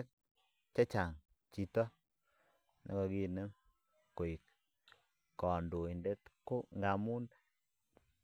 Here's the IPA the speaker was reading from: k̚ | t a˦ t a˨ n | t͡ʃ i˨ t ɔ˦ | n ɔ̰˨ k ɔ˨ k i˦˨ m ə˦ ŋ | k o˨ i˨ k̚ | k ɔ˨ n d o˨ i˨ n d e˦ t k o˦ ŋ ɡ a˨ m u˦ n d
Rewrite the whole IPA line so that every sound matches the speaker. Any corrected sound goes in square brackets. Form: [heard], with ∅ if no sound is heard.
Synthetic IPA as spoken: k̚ | [t͡ʃ] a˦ [t͡ʃ] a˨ [ŋ] | t͡ʃ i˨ t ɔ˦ | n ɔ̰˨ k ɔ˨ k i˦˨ [n] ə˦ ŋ | k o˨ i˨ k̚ | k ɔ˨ n d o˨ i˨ n d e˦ t k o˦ ŋ ɡ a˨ m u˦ n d